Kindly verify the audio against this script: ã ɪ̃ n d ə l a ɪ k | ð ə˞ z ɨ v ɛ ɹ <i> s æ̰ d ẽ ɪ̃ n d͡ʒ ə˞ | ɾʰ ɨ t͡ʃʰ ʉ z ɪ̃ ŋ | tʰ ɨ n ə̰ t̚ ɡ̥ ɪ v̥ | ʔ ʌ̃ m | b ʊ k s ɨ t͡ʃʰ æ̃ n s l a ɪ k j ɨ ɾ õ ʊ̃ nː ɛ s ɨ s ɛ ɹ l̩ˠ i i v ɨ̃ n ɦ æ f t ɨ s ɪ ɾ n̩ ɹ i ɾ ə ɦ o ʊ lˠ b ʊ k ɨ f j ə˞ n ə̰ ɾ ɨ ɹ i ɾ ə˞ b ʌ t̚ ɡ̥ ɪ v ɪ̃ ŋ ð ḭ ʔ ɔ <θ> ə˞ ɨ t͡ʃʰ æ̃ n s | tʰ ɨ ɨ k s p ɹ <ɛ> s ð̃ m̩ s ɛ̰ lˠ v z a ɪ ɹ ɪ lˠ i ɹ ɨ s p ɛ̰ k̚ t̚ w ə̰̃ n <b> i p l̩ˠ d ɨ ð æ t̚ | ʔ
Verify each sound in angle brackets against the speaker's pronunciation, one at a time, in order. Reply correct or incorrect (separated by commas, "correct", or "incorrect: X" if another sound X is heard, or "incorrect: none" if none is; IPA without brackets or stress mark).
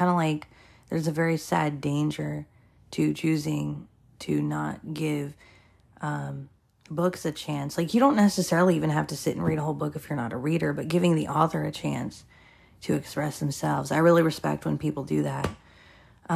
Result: correct, correct, correct, incorrect: p